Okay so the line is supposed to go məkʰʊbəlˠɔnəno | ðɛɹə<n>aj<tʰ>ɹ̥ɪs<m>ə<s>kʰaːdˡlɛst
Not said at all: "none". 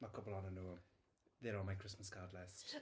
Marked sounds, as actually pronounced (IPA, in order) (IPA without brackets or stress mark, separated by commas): m, kʰ, m, s